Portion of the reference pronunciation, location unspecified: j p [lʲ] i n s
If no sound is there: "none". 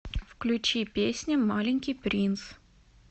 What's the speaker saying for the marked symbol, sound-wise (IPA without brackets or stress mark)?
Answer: ɾʲ